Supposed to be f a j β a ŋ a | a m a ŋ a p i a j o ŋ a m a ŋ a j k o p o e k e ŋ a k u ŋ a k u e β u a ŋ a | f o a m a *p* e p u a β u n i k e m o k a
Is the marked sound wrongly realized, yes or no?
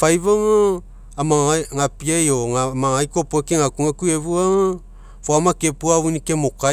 yes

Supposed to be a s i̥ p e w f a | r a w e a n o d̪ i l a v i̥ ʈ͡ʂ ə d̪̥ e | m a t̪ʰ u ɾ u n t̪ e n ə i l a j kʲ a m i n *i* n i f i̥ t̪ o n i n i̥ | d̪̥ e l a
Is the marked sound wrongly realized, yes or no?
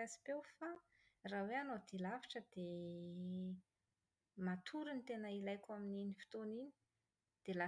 no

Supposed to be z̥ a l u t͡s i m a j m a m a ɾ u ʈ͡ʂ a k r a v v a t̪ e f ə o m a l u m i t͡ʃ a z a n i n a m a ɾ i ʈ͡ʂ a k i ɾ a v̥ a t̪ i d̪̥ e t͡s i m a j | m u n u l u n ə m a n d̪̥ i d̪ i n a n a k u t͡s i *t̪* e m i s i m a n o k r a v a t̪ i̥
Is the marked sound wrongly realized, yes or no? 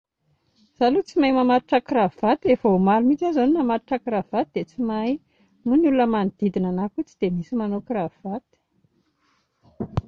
yes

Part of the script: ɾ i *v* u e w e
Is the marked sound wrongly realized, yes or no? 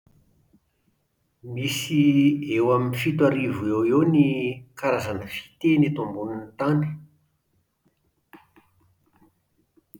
no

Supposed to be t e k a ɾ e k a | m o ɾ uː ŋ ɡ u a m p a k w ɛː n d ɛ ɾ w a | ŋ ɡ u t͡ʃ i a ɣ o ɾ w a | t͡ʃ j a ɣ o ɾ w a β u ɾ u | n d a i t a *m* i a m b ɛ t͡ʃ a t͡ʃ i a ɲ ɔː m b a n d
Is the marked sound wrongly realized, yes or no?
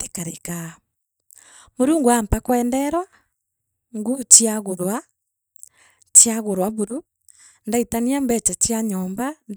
yes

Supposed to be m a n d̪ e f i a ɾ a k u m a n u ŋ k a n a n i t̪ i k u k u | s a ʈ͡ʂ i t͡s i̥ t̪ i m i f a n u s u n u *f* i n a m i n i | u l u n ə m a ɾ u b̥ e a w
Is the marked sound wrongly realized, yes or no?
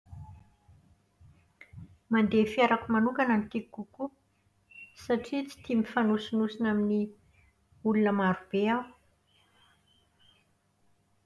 yes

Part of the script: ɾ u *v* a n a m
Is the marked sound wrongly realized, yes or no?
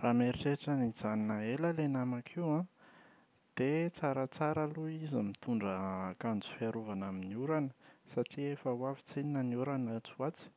no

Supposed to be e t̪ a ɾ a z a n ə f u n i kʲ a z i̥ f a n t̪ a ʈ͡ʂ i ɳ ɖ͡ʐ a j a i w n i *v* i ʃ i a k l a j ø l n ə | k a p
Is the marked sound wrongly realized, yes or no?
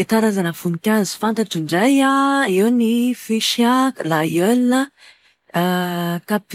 yes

